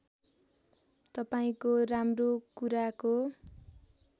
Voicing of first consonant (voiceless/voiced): voiceless